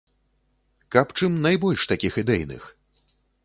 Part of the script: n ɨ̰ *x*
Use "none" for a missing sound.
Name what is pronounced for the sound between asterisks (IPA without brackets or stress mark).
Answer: x